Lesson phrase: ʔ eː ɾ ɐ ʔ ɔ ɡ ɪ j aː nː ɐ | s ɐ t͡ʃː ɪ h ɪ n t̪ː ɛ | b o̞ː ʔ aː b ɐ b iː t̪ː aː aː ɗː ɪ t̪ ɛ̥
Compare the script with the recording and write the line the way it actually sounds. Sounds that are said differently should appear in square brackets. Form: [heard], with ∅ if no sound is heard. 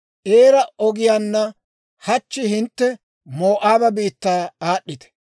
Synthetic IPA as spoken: ʔ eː ɾ ɐ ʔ ɔ ɡ ɪ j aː nː ɐ | [h] ɐ t͡ʃː ɪ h ɪ n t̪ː ɛ | [m] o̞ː ʔ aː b ɐ b iː t̪ː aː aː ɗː ɪ t̪ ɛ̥